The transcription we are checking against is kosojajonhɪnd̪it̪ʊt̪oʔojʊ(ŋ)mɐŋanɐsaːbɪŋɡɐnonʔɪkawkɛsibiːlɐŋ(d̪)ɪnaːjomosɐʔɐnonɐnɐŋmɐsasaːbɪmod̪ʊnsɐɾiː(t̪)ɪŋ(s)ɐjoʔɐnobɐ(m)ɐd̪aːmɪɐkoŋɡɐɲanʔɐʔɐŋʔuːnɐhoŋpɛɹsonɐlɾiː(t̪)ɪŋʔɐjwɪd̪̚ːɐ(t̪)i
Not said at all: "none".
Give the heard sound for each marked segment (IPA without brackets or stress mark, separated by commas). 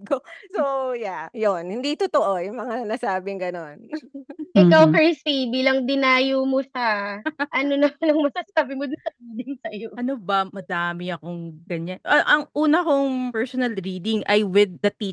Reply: ŋ, d̪, d̪, s, m, d̪, t̪